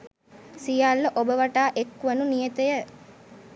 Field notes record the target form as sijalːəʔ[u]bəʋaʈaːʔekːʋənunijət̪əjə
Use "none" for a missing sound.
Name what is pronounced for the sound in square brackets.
o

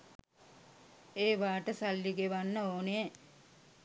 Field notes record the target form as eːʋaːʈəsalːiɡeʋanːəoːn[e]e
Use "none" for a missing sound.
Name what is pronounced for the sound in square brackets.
e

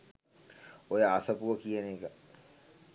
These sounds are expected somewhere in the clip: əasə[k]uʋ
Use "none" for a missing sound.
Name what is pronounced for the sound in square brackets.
p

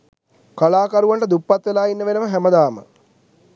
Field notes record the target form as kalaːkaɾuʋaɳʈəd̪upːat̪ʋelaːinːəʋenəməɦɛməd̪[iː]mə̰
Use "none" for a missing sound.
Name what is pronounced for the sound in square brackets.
aː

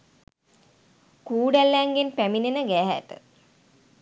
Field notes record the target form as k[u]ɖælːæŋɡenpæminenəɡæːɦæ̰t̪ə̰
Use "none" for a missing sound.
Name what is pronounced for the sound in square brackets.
uː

